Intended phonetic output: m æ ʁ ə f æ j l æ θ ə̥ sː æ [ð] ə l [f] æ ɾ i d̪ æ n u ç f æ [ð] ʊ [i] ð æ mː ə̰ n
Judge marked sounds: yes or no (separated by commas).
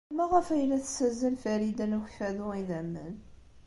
no, yes, yes, yes